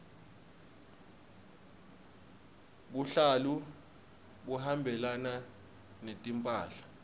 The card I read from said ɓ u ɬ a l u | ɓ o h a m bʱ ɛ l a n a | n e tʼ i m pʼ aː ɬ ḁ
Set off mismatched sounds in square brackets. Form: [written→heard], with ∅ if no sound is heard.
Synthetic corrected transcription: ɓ u ɬ a l u | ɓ [o→u] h a m bʱ ɛ l a n a | n e tʼ i m pʼ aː ɬ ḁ